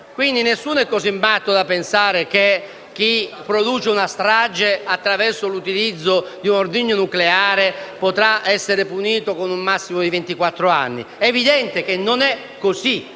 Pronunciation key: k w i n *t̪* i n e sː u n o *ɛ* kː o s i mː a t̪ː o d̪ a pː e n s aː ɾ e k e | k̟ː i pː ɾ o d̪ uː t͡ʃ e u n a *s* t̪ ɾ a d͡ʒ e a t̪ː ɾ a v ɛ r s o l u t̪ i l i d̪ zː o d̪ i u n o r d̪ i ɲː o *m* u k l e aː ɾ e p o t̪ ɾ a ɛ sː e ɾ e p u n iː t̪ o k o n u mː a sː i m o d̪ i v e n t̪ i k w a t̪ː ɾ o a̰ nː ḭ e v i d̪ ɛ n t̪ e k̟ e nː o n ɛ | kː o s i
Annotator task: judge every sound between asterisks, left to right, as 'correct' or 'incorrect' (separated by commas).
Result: incorrect, correct, correct, incorrect